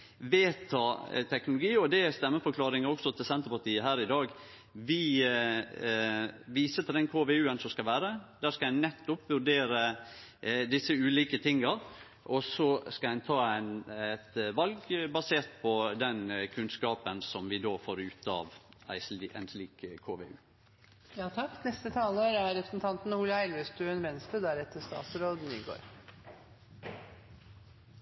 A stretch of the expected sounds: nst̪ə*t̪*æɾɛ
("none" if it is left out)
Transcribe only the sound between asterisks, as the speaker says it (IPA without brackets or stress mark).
d̪